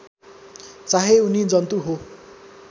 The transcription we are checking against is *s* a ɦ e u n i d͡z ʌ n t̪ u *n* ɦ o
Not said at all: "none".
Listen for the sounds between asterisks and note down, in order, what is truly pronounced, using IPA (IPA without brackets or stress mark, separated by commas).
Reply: t͡s, none